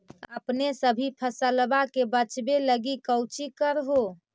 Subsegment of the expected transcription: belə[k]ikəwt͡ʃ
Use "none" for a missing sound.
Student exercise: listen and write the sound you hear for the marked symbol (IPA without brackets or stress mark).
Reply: ɡ